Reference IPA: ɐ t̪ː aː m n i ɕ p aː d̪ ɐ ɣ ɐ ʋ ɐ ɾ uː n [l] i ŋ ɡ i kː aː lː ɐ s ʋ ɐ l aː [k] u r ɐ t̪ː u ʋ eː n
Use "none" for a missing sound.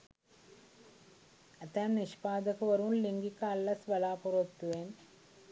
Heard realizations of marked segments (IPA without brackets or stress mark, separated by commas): l, p